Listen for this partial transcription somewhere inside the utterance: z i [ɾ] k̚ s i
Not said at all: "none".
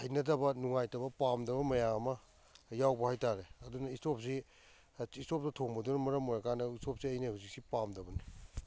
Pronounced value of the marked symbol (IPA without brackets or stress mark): none